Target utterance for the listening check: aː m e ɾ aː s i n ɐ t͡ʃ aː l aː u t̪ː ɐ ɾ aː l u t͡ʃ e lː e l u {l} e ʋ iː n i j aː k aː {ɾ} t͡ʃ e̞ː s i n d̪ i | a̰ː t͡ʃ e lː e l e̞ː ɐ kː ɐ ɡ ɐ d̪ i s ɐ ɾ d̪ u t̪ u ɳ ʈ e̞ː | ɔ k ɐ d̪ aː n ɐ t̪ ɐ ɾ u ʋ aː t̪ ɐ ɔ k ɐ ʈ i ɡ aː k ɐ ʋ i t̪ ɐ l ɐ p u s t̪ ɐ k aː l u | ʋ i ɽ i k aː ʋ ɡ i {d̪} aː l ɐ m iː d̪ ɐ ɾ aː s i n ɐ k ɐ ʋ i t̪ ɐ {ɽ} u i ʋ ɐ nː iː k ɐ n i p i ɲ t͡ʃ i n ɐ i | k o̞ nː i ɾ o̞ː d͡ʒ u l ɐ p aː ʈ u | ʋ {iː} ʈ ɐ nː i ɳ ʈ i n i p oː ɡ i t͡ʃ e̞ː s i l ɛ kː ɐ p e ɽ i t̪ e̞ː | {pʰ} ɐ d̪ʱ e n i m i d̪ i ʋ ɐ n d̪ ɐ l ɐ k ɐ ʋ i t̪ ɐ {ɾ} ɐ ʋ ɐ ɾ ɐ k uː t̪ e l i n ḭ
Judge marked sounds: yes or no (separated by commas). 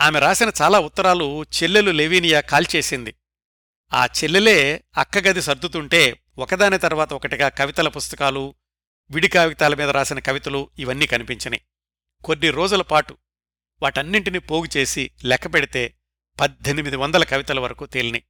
yes, no, no, no, no, no, no